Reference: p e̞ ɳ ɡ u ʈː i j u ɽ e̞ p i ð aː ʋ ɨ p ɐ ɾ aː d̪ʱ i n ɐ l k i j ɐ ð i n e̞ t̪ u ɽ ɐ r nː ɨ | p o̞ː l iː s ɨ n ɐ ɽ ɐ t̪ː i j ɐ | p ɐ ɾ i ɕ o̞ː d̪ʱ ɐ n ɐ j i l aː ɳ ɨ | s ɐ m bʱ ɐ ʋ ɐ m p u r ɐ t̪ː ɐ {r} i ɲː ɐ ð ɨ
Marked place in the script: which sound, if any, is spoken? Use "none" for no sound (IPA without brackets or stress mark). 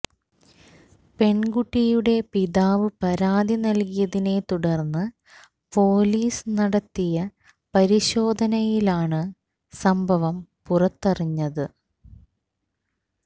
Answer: r